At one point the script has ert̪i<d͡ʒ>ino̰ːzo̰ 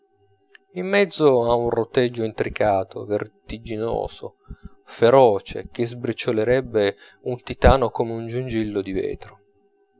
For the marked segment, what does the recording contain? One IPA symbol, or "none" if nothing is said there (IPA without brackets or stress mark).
d͡ʒ